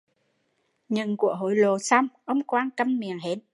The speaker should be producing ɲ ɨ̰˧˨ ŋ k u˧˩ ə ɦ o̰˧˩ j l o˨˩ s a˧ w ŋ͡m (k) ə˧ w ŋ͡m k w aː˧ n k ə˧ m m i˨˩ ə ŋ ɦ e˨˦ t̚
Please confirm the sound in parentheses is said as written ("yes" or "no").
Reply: no